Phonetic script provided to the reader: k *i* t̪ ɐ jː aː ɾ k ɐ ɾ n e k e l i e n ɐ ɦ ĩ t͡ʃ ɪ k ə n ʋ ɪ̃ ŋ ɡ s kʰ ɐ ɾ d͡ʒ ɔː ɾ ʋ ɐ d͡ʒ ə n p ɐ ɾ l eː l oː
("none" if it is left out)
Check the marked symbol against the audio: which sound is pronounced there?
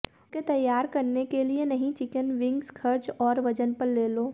e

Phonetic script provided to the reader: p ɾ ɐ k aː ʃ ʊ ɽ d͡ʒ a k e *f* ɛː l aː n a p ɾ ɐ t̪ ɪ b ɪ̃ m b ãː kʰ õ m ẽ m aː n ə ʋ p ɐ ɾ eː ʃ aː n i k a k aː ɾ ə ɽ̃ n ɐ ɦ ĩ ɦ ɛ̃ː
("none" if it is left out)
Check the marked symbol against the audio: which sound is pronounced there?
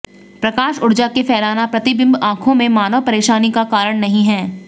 f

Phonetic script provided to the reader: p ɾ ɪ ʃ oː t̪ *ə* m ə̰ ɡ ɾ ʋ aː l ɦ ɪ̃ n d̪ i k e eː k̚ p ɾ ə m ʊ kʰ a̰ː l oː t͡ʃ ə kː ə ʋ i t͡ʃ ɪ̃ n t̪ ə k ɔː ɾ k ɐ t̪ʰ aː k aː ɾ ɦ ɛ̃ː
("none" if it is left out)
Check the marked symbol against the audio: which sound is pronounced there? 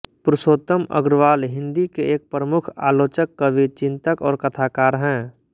ə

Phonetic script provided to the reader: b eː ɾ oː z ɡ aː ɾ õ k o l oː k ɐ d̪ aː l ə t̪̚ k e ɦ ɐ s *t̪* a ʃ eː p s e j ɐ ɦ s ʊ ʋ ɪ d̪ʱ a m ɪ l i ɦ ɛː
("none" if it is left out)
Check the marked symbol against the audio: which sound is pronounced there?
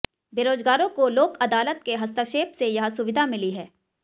t̪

